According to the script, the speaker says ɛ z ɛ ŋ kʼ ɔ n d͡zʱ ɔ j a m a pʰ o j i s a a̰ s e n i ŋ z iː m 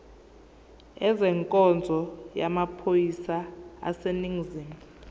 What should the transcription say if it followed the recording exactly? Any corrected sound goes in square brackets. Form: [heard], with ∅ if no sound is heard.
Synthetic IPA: ɛ z ɛ ŋ kʼ ɔ n d͡zʱ ɔ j a m a pʰ o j i s a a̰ s e n i ŋ z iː m

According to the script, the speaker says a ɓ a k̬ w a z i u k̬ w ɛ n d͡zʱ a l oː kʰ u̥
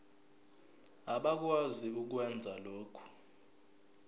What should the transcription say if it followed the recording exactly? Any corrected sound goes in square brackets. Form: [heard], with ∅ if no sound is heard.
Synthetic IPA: a ɓ a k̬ w a z i u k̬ w ɛ n d͡zʱ a l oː kʰ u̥

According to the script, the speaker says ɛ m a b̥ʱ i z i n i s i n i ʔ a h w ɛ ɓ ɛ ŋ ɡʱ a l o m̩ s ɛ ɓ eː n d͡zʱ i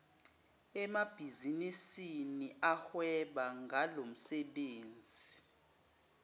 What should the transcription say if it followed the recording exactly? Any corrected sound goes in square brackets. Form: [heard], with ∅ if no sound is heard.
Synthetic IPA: ɛ m a b̥ʱ i z i n i s i n i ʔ a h w ɛ ɓ [a] ŋ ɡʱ a l o m̩ s ɛ ɓ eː n d͡zʱ i

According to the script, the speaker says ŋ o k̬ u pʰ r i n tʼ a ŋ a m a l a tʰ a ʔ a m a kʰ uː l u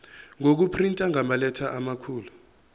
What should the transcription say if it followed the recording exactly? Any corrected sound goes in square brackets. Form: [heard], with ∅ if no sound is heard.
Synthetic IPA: ŋ o k̬ u pʰ r i n tʼ a ŋ a m a l [ɛ] tʰ a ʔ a m a kʰ uː l u

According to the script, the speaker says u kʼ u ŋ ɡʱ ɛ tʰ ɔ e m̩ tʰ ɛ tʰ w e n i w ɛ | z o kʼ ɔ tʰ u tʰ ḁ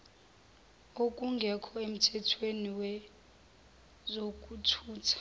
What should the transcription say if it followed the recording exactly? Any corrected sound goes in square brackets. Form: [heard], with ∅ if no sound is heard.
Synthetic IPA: [o] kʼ u ŋ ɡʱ ɛ [kʰ] ɔ e m̩ tʰ ɛ tʰ w e n i w ɛ | z o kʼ [u] tʰ [uː] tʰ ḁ

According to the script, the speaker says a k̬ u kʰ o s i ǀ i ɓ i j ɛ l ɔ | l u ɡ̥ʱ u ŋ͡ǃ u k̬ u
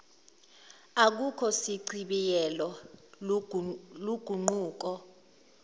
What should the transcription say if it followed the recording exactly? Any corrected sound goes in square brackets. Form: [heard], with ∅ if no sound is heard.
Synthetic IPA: a k̬ u kʰ [ɔ] s i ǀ i ɓ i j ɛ l ɔ | l u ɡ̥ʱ u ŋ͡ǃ [uː] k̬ [ɔ]

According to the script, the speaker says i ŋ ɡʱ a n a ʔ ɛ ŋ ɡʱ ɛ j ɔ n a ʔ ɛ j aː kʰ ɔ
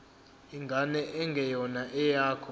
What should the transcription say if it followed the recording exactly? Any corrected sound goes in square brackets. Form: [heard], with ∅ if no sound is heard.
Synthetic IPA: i ŋ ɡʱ a n [ɛ] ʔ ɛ ŋ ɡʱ ɛ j ɔ n a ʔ ɛ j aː kʰ ɔ

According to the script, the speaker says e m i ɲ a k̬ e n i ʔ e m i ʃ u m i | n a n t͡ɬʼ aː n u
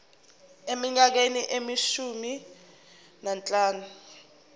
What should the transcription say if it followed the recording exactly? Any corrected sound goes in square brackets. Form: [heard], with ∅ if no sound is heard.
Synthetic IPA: e m i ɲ a k̬ e n i ʔ e m i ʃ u m i | n a n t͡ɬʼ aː n u

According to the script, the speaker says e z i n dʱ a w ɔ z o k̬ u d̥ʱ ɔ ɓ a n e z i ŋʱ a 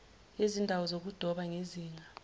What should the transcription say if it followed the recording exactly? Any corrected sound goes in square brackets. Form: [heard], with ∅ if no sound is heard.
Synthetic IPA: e z i n dʱ a w ɔ z o k̬ u d̥ʱ ɔ ɓ a [ŋ] e z [iː] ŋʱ a

